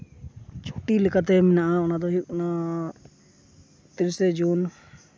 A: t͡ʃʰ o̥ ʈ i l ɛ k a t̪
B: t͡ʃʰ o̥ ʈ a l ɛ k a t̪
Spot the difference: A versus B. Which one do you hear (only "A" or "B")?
A